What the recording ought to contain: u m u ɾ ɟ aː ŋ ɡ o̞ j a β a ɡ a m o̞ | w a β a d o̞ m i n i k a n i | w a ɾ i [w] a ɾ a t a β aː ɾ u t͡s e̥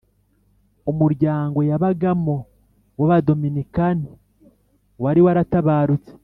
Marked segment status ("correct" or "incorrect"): correct